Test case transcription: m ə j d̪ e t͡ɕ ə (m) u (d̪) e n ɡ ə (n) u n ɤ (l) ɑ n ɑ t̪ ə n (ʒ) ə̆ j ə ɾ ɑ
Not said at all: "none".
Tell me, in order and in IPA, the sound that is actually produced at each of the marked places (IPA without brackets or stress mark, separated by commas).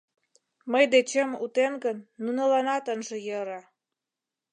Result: m, t̪, nː, l, ʒ